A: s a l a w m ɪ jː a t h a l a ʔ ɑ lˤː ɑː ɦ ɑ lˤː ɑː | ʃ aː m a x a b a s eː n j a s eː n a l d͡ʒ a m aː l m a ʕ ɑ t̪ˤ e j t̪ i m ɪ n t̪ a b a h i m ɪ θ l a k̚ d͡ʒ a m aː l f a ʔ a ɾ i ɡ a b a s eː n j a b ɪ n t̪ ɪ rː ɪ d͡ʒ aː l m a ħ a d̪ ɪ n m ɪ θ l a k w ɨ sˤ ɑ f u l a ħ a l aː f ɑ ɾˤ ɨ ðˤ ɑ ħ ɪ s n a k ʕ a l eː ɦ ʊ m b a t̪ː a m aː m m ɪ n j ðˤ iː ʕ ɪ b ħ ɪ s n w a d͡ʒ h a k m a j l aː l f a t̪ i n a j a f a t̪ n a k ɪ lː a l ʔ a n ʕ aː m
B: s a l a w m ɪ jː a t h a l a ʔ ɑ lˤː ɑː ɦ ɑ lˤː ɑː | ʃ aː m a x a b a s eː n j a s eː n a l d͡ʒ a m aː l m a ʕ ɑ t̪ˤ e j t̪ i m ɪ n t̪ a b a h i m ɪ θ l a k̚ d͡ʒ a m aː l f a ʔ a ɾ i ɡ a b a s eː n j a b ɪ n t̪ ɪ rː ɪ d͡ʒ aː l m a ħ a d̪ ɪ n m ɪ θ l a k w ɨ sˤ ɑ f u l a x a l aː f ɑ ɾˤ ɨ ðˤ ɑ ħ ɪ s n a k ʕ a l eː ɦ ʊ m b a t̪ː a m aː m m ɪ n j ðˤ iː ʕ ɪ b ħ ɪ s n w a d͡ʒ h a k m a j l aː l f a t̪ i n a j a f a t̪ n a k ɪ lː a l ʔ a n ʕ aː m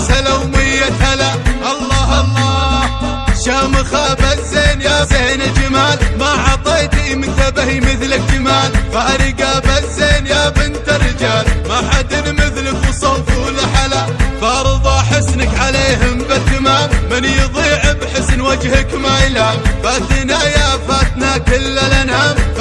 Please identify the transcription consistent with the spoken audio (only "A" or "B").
A